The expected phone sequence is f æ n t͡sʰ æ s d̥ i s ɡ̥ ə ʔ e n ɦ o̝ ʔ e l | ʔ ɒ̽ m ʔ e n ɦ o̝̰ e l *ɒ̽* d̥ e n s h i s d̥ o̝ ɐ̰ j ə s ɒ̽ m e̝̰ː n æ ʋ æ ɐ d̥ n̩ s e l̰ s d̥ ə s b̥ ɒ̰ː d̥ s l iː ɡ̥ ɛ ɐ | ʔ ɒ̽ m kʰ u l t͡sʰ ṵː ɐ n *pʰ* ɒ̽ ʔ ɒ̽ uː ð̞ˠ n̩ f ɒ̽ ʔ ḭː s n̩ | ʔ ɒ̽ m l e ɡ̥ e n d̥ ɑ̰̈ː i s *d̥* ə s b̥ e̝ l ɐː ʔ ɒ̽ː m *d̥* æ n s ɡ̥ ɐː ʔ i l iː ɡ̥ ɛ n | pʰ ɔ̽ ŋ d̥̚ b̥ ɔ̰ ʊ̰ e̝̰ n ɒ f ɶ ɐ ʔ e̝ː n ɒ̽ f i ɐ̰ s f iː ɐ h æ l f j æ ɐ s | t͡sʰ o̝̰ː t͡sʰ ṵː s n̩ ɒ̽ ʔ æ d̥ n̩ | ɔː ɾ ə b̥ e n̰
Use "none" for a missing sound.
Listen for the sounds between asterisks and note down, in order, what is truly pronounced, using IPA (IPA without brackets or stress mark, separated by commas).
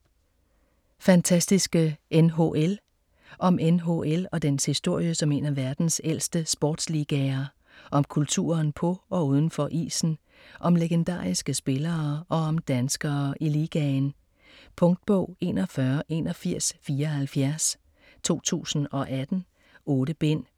ɒ̽, pʰ, ɡ̥, d̥